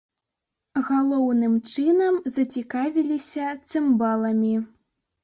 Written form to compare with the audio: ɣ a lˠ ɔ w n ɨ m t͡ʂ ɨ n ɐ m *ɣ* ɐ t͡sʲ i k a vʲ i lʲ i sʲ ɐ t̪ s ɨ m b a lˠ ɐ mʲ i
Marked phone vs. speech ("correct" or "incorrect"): incorrect